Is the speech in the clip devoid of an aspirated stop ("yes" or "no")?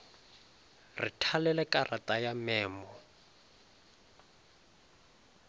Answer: no